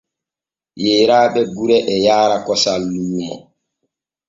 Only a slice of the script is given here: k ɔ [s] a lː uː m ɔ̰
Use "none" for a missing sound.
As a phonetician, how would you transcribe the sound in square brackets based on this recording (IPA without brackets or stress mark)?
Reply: s